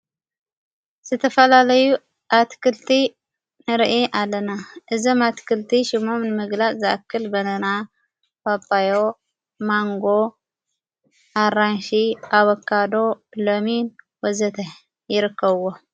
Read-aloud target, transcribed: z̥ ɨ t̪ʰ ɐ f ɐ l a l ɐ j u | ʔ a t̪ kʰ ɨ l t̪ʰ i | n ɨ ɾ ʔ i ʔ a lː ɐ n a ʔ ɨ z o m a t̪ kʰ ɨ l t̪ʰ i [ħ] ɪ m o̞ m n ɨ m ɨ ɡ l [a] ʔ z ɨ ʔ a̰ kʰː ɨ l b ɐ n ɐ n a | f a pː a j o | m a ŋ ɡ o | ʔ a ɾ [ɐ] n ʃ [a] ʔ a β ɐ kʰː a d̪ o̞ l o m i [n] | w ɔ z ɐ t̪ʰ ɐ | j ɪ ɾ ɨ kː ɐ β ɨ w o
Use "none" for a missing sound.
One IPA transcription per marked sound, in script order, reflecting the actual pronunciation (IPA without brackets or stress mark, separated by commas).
ʃ, a, a, i, n